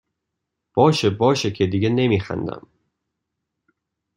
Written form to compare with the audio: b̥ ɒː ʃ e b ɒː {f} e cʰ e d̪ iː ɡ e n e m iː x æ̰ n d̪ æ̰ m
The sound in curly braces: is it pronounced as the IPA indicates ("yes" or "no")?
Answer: no